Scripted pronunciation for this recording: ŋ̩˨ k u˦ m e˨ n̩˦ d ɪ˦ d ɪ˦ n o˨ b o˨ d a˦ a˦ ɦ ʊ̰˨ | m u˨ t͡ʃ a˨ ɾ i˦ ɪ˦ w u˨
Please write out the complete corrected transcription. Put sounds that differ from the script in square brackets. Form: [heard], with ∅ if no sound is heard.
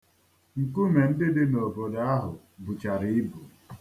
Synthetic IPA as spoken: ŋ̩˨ k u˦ m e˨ n̩˦ d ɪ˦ d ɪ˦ n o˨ b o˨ d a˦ a˦ ɦ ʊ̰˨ | [b] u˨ t͡ʃ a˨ ɾ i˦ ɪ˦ [b] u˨